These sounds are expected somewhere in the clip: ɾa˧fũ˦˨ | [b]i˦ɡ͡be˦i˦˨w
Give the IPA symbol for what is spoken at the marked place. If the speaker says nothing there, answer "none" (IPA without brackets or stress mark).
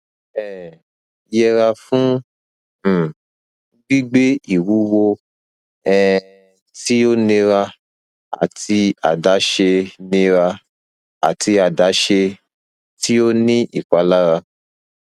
ɡ͡b